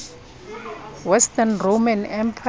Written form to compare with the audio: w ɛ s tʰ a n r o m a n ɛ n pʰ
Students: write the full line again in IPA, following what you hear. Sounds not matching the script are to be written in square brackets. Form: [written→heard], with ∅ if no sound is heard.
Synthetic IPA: w ɛ s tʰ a n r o m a n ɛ [n→m] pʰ